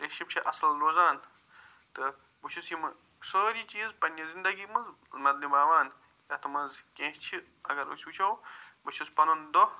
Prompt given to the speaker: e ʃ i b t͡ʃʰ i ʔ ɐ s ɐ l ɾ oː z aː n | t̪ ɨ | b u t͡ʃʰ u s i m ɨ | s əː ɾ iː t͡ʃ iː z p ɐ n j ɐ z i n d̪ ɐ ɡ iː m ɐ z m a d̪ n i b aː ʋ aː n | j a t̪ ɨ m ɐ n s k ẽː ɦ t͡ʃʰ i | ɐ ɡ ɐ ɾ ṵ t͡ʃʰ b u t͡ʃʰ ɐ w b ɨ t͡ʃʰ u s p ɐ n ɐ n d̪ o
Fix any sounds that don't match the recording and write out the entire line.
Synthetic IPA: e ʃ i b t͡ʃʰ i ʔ ɐ s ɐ l ɾ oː z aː n | t̪ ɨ | b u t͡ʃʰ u s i m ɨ | s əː ɾ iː t͡ʃ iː z p ɐ n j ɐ z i n d̪ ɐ ɡ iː m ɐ z m ɐ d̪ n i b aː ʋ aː n | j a t̪ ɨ m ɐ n z k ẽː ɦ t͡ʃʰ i | ɐ ɡ ɐ ɾ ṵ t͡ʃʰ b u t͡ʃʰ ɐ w b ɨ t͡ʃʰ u s p ɐ n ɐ n d̪ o